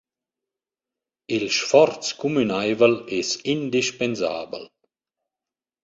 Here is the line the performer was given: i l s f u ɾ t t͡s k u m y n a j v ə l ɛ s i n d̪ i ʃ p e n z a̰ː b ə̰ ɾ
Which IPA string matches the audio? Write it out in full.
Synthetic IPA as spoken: i l ʃ f ɔ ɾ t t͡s k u m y n a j v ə l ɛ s i n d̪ i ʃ p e n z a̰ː b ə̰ l